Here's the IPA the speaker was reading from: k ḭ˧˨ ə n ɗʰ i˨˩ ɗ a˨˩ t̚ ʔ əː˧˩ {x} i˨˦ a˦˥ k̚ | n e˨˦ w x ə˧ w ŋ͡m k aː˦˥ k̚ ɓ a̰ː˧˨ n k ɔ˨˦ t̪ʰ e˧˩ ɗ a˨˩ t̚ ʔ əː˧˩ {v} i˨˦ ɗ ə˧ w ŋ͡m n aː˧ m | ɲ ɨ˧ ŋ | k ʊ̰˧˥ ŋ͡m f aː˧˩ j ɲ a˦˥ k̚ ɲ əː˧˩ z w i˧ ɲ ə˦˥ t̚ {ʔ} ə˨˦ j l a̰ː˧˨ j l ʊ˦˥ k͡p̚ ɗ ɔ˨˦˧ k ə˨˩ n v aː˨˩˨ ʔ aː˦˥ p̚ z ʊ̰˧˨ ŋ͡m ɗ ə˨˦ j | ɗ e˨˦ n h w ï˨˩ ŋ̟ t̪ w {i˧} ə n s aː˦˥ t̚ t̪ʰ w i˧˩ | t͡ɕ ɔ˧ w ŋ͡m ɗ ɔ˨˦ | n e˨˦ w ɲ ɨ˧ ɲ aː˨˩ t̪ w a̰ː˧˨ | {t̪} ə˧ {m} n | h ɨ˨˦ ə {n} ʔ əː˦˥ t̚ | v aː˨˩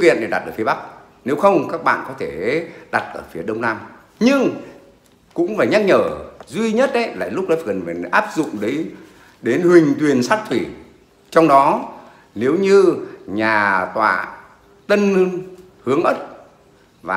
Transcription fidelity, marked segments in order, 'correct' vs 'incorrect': incorrect: f, incorrect: f, correct, incorrect: i˨˩, correct, incorrect: n, incorrect: ŋ

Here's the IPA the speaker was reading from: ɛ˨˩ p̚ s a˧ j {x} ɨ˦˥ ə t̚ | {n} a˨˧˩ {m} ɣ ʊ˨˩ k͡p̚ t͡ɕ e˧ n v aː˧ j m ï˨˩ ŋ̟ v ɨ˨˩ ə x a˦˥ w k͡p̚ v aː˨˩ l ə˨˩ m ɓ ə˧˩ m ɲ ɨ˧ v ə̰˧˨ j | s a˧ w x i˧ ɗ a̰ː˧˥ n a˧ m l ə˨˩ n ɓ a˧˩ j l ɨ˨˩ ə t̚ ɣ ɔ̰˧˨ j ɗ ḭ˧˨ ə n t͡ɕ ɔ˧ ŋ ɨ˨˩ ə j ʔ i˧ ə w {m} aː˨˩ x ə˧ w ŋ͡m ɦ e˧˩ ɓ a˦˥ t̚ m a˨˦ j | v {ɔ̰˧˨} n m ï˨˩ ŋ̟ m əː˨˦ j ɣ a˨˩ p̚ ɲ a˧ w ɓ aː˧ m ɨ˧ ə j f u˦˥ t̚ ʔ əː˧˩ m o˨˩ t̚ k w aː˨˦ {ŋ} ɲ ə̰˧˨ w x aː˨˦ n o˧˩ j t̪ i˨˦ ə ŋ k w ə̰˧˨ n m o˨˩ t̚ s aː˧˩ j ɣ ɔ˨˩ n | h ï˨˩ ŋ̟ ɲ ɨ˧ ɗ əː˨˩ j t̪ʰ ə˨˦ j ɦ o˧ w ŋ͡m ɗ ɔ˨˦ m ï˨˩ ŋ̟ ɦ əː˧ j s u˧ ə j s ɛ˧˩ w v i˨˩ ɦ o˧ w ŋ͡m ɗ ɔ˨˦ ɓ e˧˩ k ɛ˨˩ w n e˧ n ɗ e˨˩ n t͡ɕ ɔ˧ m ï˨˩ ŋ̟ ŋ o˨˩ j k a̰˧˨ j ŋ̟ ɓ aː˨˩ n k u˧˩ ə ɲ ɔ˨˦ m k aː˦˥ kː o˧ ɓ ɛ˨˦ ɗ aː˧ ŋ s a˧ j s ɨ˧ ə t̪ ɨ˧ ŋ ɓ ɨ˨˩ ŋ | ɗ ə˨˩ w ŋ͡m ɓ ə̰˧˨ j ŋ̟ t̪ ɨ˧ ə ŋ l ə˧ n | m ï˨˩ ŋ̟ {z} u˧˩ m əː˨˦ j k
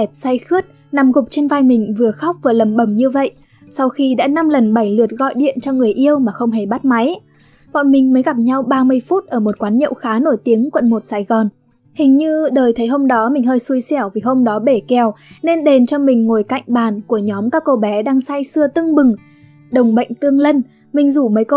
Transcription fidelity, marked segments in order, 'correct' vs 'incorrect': correct, correct, correct, correct, correct, incorrect: n, correct

